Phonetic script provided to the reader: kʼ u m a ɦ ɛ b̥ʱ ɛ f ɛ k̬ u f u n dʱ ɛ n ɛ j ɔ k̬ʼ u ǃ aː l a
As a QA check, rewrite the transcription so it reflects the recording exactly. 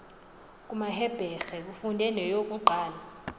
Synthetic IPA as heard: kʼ u m a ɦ ɛ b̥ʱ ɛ x ɛ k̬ u f u n dʱ ɛ n ɛ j o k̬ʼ u ǃ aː l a